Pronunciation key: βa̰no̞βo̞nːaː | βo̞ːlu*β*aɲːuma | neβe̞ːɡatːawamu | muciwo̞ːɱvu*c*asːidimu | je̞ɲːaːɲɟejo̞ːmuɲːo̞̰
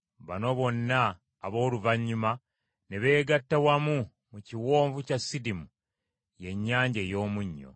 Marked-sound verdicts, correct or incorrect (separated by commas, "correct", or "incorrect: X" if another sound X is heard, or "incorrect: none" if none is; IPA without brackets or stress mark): incorrect: v, correct